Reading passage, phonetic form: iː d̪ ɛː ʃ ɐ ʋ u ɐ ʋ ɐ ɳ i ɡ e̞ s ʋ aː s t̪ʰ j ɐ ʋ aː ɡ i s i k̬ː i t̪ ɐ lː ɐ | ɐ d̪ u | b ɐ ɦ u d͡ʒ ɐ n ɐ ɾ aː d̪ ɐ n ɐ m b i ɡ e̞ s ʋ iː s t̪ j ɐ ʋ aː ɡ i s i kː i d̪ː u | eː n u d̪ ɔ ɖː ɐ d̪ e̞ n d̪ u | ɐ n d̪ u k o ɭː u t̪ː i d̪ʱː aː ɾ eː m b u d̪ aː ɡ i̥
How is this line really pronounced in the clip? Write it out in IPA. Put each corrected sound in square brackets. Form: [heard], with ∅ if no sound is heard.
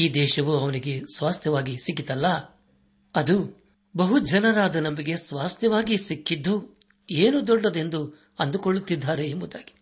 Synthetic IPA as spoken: iː d̪ ɛː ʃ ɐ ʋ u ɐ ʋ ɐ [n] i ɡ e̞ s ʋ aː s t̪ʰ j ɐ ʋ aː ɡ i s i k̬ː i t̪ ɐ lː ɐ | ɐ d̪ u | b ɐ ɦ u d͡ʒ ɐ n ɐ ɾ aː d̪ ɐ n ɐ m b i ɡ e̞ s ʋ [aː] s t̪ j ɐ ʋ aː ɡ i s i kː i d̪ː u | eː n u d̪ ɔ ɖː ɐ d̪ e̞ n d̪ u | ɐ n d̪ u k o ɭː u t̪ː i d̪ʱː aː ɾ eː m b u d̪ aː ɡ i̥